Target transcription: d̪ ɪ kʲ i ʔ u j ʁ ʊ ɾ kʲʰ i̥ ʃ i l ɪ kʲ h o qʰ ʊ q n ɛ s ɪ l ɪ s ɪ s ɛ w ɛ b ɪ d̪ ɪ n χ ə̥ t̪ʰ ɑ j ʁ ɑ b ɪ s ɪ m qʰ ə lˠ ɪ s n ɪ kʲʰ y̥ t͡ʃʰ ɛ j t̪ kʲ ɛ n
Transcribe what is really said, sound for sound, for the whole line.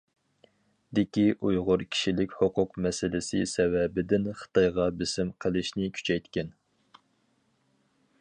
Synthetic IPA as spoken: d̪ ɪ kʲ i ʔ u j ʁ ʊ ɾ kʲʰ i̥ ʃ i l ɪ kʲ h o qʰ ʊ q m ɛ s ɪ l ɪ s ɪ s ɛ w ɛ b ɪ d̪ ɪ n χ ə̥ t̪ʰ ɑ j ʁ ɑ b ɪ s ɪ m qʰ ə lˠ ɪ ʃ n ɪ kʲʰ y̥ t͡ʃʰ ɛ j t̪ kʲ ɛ n

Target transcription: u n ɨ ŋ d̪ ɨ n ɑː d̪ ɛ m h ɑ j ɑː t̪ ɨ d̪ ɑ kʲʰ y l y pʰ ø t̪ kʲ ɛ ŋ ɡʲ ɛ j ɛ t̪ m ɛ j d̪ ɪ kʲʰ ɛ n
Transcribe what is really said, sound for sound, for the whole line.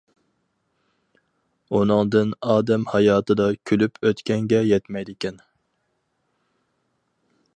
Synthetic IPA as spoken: u n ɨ ŋ d̪ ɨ n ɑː d̪ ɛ m h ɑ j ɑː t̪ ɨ d̪ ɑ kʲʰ y l y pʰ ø t̪ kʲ ɛ ŋ ɡʲ ɛ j ɛ t̪ m ɛ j d̪ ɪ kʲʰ ɛ n

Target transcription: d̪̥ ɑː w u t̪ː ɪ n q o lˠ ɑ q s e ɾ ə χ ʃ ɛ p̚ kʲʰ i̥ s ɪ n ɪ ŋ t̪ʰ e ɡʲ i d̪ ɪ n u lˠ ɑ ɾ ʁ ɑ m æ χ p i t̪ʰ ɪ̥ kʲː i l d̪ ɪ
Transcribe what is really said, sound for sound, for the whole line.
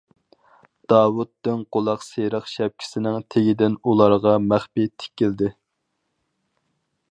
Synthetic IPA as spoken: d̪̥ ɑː w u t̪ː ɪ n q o lˠ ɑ q s e ɾ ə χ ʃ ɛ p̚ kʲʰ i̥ s ɪ n ɪ ŋ t̪ʰ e ɡʲ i d̪ ɪ n u lˠ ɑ ɾ ʁ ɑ m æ χ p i t̪ʰ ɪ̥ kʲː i l d̪ ɪ

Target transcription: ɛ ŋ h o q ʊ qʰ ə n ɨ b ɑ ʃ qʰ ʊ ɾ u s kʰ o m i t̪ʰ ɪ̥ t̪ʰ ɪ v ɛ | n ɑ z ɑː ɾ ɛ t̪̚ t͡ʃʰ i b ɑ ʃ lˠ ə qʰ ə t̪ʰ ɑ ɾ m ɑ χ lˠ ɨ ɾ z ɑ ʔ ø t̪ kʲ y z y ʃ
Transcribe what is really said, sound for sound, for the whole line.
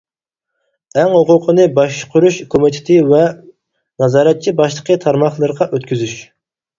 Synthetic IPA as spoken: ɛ ŋ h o q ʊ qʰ ə n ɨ b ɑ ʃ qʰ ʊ ɾ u ʃ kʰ o m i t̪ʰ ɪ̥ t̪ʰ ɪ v ɛ | n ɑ z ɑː ɾ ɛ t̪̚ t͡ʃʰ i b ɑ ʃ lˠ ə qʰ ə t̪ʰ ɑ ɾ m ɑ χ lˠ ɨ ɾ ʁ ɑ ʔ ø t̪ kʲ y z y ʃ

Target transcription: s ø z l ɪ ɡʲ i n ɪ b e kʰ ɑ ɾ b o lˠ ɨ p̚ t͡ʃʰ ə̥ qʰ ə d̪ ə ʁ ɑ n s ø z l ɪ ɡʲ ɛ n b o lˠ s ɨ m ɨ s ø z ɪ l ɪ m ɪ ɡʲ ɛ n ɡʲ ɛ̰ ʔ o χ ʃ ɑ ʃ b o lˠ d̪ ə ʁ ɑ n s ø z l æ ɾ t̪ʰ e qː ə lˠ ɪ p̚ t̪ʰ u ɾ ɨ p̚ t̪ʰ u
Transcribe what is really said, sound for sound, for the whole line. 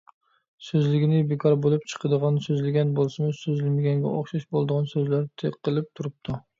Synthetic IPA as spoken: s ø z l ɪ ɡʲ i n ɪ b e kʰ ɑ ɾ b o lˠ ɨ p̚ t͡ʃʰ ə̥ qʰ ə d̪ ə ʁ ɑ n s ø z l ɪ ɡʲ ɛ n b o lˠ s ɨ m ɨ s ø z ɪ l ɪ m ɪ ɡʲ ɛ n ɡʲ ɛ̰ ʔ o χ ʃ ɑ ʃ b o lˠ d̪ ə ʁ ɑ n s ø z l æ ɾ t̪ʰ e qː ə lˠ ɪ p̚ t̪ʰ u ɾ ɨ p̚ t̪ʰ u

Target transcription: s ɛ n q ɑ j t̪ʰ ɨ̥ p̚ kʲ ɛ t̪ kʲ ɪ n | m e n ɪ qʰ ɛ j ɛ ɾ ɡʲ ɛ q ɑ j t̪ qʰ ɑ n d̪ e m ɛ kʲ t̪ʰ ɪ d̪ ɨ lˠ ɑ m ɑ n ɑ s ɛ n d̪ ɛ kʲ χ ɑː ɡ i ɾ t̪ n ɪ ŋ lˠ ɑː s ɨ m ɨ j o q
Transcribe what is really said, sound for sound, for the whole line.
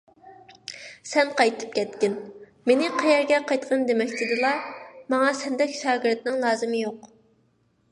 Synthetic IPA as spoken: s ɛ n q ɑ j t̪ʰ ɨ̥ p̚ kʲ ɛ t̪ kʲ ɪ n | m e n ɪ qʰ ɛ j ɛ ɾ ɡʲ ɛ q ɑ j t̪ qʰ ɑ n d̪ e m ɛ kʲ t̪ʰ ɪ d̪ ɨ lˠ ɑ m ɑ ŋ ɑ s ɛ n d̪ ɛ kʲ ʃ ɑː ɡ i ɾ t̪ n ɪ ŋ lˠ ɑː z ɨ m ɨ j o q

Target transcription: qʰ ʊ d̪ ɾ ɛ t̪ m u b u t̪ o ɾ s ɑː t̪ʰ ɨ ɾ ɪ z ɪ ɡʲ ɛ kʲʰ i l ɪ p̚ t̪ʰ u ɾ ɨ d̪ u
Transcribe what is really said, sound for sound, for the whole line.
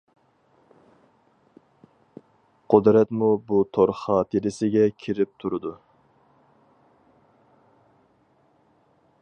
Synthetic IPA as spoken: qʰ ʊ d̪ ɾ ɛ t̪ m u b u t̪ʰ o ɾ χ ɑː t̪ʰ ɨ ɾ ɪ s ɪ ɡʲ ɛ kʲʰ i ɾ ɪ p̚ t̪ʰ u ɾ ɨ d̪ u

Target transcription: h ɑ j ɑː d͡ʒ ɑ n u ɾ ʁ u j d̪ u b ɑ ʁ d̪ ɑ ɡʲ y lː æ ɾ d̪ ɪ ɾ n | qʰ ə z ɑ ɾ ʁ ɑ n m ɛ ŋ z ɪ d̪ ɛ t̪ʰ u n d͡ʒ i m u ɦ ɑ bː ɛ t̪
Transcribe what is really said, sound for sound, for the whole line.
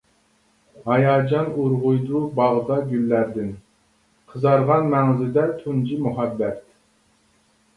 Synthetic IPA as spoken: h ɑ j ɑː d͡ʒ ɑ n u ɾ ʁ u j d̪ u b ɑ ʁ d̪ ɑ ɡʲ y lː æ ɾ d̪ ɪ n | qʰ ə z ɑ ɾ ʁ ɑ n m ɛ ŋ z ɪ d̪ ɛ t̪ʰ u n d͡ʒ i m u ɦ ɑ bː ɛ t̪

